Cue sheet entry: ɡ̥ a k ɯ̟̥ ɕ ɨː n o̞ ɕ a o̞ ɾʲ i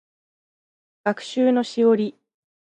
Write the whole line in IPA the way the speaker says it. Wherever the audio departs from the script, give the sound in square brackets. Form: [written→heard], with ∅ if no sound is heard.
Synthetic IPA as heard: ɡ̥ a k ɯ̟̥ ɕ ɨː n o̞ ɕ [a→i] o̞ ɾʲ i